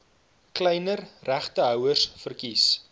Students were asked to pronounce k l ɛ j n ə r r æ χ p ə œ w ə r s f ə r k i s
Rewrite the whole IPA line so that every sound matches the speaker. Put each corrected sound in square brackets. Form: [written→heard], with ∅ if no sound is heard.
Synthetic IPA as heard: k l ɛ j n ə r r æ χ [p→t] ə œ w ə r s f ə r k i s